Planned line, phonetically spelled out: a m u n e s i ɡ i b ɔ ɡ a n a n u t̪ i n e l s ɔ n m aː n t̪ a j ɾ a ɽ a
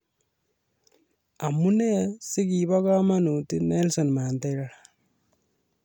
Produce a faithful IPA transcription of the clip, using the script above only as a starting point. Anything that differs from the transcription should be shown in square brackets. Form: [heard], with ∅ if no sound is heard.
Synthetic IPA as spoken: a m u n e s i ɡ i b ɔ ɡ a [m] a n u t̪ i n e l s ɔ n m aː n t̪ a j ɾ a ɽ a